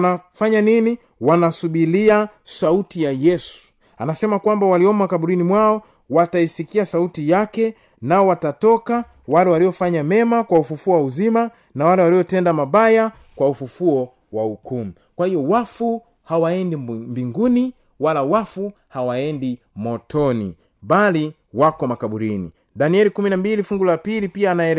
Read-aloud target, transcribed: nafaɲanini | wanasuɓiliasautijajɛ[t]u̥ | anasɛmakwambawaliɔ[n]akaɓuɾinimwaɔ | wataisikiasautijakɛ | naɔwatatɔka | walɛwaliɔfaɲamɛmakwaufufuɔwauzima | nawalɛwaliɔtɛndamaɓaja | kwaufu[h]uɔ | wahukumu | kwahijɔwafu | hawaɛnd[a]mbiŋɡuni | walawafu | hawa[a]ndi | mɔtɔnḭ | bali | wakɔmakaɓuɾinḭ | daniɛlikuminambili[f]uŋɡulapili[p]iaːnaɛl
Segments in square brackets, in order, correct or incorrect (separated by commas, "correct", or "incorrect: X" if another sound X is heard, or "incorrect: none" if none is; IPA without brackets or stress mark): incorrect: s, incorrect: m, incorrect: f, incorrect: i, incorrect: ɛ, correct, correct